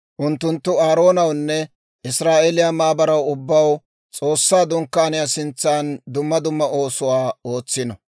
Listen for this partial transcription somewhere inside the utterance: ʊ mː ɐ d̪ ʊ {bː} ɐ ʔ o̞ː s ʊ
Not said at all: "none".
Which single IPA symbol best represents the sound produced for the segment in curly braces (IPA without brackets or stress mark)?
mː